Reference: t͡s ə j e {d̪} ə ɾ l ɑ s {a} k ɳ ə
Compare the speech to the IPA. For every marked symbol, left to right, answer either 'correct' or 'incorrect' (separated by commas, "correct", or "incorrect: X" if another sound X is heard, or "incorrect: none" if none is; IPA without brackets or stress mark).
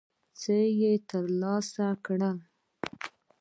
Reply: incorrect: t̪, correct